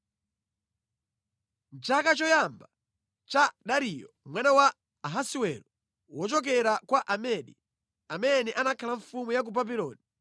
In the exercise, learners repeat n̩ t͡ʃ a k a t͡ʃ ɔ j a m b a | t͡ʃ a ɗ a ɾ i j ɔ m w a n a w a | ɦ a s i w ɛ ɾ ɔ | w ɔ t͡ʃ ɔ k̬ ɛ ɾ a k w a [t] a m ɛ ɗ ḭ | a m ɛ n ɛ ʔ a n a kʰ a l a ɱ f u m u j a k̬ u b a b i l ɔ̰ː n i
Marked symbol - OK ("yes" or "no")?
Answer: no